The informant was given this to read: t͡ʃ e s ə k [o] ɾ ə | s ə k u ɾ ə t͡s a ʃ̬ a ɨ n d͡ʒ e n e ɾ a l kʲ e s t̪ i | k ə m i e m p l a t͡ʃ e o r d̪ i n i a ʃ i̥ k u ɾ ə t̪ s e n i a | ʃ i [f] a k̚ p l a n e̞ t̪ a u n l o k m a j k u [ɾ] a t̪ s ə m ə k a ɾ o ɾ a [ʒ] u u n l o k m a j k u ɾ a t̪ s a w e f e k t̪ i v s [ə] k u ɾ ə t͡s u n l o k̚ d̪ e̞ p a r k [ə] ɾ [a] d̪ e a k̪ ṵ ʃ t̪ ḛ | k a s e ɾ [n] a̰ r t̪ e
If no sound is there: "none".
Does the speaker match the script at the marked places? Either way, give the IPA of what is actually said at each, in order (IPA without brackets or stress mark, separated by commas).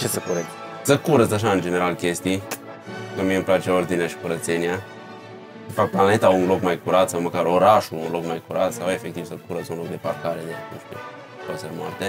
u, f, ɾ, ʃ, ə, a, e, m